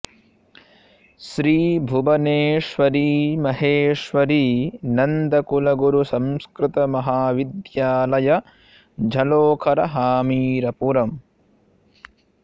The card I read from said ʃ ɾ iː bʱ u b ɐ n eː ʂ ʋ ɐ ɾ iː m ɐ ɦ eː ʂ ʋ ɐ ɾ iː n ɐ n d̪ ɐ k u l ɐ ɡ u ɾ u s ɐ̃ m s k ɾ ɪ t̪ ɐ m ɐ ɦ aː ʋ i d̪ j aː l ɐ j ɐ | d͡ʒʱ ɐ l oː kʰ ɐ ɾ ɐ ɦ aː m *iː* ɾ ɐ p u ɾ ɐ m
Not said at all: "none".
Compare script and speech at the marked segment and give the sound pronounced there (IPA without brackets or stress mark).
iː